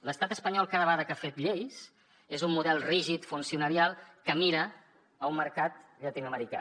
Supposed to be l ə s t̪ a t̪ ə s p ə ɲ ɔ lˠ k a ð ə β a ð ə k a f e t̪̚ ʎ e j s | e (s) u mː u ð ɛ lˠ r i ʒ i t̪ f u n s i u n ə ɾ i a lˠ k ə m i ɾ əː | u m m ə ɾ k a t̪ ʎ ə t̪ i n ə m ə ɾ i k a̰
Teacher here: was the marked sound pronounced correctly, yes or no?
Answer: no